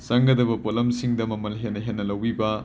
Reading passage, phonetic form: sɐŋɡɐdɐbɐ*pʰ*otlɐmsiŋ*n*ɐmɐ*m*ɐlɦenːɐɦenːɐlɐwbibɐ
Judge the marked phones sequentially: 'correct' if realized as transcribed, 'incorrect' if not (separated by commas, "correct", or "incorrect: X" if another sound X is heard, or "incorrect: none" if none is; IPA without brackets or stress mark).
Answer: incorrect: p, incorrect: d, correct